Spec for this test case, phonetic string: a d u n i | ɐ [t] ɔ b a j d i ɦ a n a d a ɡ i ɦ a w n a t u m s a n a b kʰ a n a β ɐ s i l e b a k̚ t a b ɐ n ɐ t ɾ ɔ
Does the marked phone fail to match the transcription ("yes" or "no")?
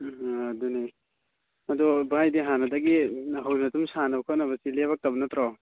yes